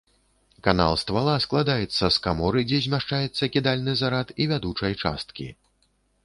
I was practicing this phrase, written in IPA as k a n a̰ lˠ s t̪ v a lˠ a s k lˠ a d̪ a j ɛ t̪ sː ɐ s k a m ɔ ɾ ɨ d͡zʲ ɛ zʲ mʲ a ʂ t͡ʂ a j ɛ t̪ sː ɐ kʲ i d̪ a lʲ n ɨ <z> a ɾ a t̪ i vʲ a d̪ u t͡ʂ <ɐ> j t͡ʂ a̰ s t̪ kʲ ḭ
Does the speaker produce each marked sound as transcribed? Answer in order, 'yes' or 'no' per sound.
yes, yes

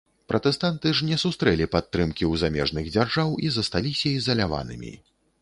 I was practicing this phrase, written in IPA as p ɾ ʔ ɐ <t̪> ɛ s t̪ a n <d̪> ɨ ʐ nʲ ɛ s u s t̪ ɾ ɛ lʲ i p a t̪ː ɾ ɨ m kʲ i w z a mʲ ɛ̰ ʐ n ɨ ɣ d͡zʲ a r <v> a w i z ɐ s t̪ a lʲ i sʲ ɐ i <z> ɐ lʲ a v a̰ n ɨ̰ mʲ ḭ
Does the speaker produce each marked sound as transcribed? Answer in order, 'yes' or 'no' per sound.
yes, no, no, yes

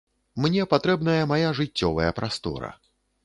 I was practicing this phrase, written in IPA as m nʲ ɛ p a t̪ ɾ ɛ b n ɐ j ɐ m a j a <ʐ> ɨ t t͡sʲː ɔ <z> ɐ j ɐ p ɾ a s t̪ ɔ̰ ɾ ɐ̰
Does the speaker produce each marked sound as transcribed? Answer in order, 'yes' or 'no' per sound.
yes, no

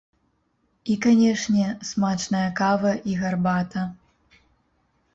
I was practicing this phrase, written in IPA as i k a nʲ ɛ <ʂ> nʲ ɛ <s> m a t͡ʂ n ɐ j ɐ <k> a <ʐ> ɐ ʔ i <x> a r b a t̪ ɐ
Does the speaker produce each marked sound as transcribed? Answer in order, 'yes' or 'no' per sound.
yes, yes, yes, no, no

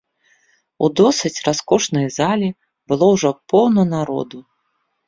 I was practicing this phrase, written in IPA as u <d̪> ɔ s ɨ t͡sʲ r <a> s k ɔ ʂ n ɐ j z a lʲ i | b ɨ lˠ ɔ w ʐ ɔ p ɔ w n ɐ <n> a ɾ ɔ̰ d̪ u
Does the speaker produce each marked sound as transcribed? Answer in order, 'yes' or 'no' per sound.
yes, yes, yes

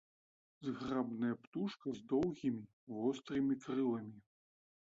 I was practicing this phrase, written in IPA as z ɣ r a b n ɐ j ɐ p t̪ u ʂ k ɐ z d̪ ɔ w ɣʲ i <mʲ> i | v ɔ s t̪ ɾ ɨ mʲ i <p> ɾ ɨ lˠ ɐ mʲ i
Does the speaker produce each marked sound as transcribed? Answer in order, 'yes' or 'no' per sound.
yes, no

